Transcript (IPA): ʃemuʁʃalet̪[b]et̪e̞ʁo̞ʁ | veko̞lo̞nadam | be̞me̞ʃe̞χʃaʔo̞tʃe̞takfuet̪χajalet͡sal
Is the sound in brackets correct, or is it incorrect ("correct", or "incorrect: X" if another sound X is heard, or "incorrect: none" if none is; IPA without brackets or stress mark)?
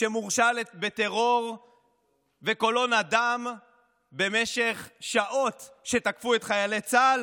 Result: correct